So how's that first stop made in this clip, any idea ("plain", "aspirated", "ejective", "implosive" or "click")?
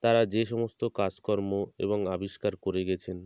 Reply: plain